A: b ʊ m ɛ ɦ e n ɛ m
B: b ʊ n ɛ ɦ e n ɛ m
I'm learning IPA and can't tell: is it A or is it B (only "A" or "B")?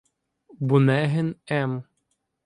B